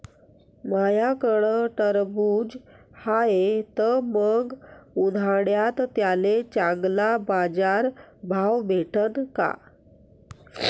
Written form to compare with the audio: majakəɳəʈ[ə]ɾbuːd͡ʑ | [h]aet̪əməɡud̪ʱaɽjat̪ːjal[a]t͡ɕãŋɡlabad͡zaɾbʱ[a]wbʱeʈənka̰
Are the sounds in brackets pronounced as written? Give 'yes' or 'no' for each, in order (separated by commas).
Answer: yes, yes, no, yes